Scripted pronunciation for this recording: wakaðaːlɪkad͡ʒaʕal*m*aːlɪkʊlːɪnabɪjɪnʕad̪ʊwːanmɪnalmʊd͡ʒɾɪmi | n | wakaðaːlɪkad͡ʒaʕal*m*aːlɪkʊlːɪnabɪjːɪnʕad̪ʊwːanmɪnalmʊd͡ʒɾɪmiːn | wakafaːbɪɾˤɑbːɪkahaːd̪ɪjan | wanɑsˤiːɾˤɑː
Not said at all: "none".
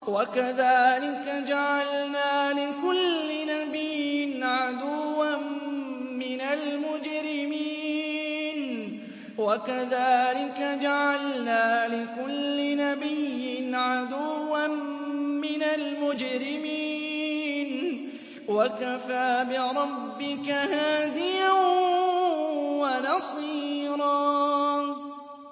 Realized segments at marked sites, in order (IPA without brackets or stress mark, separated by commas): n, n